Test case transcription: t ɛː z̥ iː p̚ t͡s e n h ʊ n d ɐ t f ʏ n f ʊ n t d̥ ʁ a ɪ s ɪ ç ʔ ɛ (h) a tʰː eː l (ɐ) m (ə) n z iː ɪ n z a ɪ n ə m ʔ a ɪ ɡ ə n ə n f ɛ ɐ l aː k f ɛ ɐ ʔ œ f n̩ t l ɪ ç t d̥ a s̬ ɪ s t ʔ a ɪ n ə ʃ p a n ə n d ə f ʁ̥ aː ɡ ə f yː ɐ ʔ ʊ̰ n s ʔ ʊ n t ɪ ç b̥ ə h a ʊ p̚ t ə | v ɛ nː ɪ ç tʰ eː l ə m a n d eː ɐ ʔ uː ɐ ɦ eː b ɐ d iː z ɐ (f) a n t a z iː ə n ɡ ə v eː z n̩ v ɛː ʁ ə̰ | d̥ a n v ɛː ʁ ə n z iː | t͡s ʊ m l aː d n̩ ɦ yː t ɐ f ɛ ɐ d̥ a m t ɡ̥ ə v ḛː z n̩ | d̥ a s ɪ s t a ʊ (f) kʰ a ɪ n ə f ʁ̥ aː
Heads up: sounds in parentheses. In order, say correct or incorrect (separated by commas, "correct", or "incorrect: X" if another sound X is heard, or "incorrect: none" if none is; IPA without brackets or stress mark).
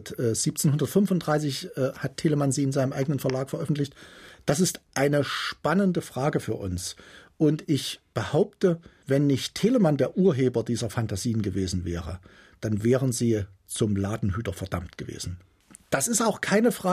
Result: correct, incorrect: ə, incorrect: a, correct, incorrect: x